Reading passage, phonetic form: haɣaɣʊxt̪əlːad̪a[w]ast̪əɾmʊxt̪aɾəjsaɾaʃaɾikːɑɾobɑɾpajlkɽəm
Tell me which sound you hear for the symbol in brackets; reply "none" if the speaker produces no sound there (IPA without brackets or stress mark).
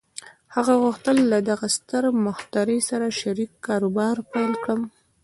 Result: ɣ